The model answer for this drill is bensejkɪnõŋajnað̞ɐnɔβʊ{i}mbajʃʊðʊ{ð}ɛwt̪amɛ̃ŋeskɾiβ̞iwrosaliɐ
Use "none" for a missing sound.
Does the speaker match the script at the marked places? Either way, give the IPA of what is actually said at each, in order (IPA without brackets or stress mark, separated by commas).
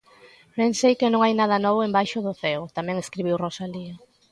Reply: e, θ